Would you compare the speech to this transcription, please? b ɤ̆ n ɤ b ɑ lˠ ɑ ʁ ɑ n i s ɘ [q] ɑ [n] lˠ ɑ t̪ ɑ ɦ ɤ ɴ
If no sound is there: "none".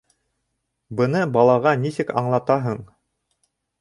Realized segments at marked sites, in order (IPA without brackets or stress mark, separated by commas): k, ɴ